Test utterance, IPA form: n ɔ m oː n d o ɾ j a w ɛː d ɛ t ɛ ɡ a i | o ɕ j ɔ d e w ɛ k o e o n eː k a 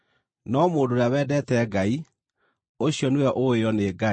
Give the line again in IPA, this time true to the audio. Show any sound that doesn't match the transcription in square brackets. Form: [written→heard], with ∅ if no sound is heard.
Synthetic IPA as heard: n ɔ m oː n d o ɾ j a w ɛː d ɛ t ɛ ɡ a i | o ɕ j ɔ [d→n] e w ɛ [k→ʔ] o e [o→ɔ] n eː [k→ɡ] a